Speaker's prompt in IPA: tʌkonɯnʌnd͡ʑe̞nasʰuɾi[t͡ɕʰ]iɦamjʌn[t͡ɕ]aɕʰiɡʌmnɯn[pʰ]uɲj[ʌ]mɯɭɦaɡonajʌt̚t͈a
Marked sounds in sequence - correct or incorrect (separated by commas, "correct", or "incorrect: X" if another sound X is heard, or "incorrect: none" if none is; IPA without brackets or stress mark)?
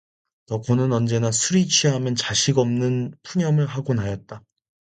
correct, correct, correct, correct